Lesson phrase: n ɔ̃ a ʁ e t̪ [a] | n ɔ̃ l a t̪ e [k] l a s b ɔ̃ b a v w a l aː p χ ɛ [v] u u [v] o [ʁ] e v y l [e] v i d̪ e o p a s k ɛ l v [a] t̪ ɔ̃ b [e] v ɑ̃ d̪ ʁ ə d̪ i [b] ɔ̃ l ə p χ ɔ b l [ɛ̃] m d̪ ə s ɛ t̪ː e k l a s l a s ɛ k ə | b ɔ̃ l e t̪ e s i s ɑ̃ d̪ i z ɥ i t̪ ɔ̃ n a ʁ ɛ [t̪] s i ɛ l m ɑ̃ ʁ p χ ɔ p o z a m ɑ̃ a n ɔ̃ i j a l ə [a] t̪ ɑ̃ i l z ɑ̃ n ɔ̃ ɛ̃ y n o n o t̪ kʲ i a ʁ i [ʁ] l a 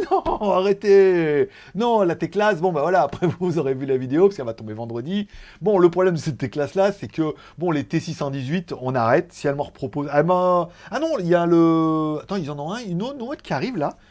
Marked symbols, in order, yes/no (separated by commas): no, yes, yes, no, yes, no, yes, yes, yes, no, yes, yes, no